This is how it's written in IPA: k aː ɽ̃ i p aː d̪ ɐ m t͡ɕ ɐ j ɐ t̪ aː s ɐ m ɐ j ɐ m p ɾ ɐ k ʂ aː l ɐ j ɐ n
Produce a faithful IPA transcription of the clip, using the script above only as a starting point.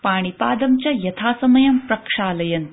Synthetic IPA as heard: p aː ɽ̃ i p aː d̪ ɐ m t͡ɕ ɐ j ɐ t̪ʰ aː s ɐ m ɐ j ɐ m p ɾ ɐ k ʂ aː l ɐ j ɐ n